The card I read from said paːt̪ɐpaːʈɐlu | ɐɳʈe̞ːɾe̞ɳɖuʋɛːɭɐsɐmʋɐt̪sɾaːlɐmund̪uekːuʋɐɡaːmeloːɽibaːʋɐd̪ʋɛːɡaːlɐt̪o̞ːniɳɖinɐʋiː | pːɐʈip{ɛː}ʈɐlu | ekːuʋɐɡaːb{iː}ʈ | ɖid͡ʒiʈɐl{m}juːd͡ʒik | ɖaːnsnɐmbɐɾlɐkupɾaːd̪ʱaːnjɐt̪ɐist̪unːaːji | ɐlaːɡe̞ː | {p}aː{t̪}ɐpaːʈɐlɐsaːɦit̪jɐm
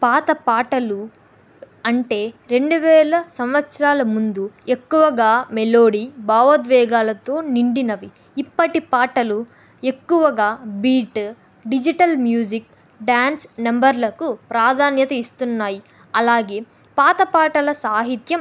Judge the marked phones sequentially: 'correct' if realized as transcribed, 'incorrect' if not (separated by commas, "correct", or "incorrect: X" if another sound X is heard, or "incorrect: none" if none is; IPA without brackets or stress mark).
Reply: incorrect: aː, correct, correct, correct, correct